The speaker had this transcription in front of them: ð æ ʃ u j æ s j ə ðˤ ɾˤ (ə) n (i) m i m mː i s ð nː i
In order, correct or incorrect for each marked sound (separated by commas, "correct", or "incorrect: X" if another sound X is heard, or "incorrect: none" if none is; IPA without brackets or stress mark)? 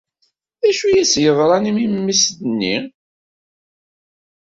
incorrect: ɑ, correct